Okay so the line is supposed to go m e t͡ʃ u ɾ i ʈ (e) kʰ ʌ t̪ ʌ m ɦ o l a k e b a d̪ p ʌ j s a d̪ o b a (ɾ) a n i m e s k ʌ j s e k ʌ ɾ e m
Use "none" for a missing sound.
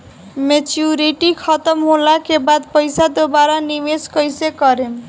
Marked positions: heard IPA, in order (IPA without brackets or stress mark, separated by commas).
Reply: i, ɾ